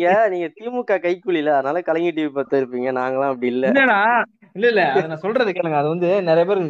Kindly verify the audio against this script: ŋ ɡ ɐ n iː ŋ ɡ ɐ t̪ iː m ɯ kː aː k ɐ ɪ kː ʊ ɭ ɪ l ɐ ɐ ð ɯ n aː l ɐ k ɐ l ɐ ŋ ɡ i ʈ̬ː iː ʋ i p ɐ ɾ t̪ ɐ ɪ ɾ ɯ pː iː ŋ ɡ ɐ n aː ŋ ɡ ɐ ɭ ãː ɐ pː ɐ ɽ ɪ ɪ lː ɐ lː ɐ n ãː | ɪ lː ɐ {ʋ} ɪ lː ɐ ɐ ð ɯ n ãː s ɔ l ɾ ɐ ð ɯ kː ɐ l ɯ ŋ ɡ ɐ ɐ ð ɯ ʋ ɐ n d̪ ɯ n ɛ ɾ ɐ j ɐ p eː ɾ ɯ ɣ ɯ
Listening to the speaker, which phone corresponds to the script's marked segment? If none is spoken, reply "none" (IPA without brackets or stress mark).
none